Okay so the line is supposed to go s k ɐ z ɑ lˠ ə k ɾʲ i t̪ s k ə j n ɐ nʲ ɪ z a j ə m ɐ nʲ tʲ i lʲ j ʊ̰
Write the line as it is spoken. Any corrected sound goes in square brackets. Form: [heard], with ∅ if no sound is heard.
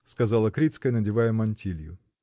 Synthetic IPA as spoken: s k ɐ z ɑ lˠ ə k ɾʲ i t̪ s k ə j n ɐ [dʲ] ɪ [v] a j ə m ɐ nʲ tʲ i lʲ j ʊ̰